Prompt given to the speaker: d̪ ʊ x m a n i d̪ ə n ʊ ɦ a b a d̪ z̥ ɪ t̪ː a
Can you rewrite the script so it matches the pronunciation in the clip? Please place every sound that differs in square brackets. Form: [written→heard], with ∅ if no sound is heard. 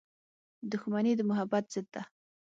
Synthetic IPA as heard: d̪ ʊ x m a n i d̪ ə [n→m] ʊ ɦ a b a [d̪→t̪] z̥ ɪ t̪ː a